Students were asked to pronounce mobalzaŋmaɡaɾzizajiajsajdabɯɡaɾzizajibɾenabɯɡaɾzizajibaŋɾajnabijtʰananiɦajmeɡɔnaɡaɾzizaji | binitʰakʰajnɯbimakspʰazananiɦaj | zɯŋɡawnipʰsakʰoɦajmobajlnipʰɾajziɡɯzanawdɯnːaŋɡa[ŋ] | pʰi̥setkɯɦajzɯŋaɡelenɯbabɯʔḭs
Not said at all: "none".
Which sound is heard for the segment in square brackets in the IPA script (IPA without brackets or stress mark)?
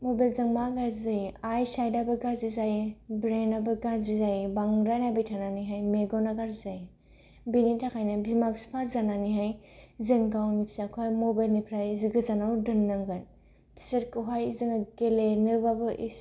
n